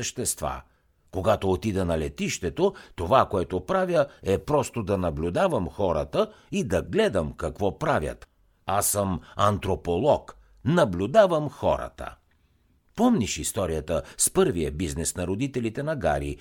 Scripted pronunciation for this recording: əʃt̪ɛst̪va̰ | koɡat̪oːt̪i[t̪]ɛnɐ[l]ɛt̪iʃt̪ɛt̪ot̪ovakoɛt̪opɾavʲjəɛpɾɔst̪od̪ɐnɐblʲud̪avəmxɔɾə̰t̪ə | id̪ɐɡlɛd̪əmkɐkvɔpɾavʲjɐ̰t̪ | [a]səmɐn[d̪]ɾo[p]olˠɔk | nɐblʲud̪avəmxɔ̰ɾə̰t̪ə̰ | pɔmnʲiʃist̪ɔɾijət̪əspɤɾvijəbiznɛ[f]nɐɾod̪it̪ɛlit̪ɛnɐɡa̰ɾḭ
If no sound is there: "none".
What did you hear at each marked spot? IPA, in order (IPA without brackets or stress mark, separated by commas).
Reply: d̪, l, a, t̪, p, s